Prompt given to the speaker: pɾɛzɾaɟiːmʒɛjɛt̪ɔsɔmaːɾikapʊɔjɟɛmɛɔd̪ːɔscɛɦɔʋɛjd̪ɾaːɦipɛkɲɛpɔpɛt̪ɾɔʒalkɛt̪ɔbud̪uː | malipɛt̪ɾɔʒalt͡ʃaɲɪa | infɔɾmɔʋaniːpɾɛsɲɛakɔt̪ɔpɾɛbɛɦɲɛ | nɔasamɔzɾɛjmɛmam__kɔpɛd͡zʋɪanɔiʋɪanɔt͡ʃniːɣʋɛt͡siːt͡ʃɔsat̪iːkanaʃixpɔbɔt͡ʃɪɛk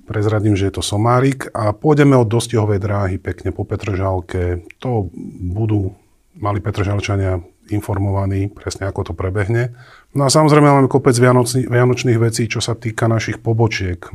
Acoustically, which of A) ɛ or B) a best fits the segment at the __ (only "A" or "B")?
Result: A